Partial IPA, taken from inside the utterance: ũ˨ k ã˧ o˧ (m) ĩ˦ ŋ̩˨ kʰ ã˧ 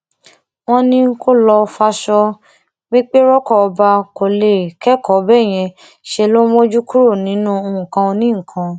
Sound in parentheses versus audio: incorrect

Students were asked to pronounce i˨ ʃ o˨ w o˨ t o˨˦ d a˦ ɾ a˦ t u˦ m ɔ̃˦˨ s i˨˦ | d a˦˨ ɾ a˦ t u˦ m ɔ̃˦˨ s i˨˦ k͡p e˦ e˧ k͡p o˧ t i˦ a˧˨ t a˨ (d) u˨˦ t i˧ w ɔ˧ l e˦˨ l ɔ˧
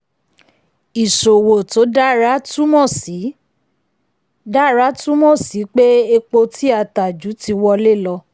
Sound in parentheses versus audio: incorrect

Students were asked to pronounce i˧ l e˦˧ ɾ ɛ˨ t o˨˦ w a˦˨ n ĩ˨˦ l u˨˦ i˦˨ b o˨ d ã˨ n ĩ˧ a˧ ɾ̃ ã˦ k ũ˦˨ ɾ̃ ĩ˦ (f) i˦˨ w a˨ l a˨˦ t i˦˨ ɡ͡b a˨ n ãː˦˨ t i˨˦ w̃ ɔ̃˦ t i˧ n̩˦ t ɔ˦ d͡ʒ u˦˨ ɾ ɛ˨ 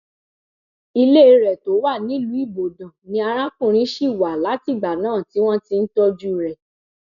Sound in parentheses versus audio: incorrect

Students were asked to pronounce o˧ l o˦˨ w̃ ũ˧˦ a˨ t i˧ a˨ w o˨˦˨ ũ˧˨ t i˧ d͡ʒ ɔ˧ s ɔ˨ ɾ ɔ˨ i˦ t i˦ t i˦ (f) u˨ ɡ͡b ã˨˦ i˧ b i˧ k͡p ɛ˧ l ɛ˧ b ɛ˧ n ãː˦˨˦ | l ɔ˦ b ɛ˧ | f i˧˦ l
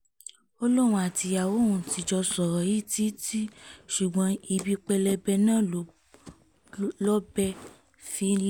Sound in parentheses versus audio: incorrect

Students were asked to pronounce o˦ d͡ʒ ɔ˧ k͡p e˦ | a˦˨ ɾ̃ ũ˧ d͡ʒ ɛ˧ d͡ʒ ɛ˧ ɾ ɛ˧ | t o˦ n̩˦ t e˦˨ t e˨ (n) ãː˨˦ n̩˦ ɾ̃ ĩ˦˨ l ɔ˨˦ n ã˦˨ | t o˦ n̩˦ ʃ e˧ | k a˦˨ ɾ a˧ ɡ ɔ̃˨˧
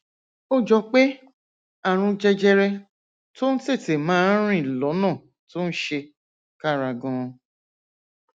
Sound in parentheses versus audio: incorrect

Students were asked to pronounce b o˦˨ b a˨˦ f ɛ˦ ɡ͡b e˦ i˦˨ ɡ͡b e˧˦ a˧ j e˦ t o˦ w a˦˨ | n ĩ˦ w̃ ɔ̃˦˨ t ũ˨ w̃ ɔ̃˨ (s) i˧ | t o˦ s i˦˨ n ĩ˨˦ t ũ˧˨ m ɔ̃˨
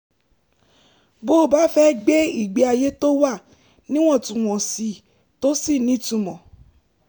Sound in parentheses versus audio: correct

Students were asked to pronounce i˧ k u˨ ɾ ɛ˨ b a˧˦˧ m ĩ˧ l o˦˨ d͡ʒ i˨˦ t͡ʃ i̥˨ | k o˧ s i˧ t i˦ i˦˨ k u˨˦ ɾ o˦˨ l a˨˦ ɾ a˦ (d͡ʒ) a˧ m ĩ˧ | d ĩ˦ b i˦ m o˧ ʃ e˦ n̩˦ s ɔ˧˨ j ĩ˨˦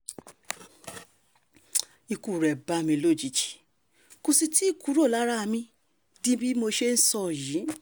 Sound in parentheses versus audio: incorrect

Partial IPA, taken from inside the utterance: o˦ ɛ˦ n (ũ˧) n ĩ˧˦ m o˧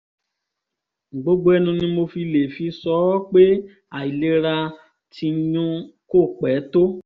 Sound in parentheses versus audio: correct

